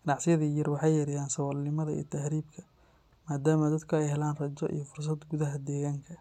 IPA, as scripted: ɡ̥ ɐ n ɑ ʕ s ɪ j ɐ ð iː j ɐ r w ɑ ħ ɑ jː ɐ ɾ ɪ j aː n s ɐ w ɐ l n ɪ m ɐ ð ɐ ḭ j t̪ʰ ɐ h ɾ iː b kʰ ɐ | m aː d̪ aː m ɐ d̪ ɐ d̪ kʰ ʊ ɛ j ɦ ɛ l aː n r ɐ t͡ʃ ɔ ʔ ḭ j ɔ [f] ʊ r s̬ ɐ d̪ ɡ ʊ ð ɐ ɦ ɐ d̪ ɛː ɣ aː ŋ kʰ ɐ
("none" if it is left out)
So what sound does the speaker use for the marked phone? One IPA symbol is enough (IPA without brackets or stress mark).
f